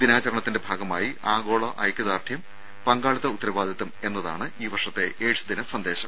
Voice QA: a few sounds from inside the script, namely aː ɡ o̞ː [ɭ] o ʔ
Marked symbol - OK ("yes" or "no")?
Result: yes